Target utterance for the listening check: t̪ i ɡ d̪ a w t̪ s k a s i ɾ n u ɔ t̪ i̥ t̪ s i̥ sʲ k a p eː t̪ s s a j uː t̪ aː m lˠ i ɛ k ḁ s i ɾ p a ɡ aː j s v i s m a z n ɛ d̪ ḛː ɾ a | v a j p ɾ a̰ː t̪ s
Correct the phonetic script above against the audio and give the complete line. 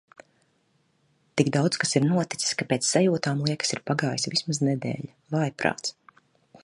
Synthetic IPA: t̪ i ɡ d̪ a w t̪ s k a s i ɾ n u ɔ t̪ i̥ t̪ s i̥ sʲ k a p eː t̪ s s a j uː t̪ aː m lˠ i ɛ k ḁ s i ɾ p a ɡ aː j s v i s m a z n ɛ d̪ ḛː ʎ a | v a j p ɾ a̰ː t̪ s